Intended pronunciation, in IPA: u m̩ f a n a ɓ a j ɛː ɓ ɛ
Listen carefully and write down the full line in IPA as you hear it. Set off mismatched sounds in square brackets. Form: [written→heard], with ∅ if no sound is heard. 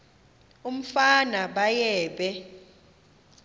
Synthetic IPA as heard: u m̩ f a n a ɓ a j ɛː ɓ ɛ